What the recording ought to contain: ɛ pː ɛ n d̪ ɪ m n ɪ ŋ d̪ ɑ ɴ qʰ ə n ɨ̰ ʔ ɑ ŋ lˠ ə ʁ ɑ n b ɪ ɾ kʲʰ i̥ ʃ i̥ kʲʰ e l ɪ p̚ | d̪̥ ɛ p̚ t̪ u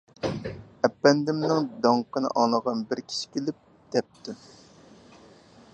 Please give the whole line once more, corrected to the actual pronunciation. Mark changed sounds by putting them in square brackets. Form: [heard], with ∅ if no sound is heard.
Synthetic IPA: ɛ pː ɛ n d̪ ɪ m n ɪ ŋ d̪ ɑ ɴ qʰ ə n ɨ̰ ʔ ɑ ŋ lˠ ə ʁ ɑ n b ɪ ɾ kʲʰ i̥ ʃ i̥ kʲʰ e l ɪ p̚ | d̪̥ ɛ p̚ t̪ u